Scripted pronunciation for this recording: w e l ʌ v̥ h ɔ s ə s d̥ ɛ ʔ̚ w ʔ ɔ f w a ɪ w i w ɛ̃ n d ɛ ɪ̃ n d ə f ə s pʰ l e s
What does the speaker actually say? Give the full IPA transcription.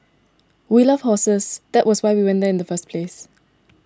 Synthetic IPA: w i l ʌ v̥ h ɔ s ə s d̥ ɛ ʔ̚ w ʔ ɔ s w a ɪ w i w ɛ̃ n d ɛ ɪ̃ n d ə f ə s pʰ l e s